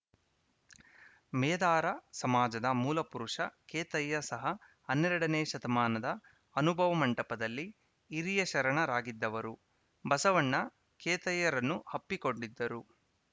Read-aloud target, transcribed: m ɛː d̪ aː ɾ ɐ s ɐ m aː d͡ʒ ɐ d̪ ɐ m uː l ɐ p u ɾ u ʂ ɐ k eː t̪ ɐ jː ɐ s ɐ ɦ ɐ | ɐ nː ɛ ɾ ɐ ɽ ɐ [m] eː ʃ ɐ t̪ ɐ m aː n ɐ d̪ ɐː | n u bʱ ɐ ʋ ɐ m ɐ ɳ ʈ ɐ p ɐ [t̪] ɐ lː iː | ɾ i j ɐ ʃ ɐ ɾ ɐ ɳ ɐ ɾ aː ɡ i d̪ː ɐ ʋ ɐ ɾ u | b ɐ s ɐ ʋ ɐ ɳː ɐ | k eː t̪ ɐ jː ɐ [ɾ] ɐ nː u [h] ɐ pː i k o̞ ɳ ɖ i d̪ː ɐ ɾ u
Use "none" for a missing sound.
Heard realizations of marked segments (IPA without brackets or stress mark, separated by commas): n, d̪, ɾ, h